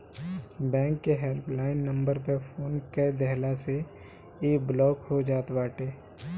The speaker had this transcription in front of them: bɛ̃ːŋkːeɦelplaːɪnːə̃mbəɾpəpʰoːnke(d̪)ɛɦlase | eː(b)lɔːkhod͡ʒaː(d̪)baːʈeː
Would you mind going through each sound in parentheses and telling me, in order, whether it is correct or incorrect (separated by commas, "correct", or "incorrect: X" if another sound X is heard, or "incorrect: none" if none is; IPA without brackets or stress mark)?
correct, correct, incorrect: t̪